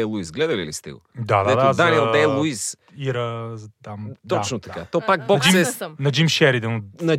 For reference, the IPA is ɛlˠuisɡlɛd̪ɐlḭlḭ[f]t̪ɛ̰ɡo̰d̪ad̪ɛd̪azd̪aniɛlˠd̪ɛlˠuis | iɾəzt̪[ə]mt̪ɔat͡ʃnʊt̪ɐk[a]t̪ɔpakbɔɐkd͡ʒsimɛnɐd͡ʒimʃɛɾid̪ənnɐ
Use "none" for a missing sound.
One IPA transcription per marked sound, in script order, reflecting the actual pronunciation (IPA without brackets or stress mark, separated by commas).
s, a, a